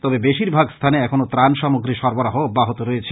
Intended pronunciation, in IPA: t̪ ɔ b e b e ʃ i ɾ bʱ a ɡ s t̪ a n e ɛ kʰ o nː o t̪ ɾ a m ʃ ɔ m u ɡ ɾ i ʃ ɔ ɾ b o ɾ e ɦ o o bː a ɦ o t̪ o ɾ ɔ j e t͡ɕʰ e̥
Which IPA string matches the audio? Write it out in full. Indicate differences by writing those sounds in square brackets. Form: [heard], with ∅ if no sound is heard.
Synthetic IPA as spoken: t̪ ɔ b e b e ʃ i ɾ bʱ a ɡ s [t̪ʰ] a n e ɛ kʰ o [n] o t̪ ɾ a [n] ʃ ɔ m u ɡ ɾ i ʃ ɔ ɾ b o ɾ [a] ɦ o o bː a ɦ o t̪ o ɾ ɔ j e t͡ɕʰ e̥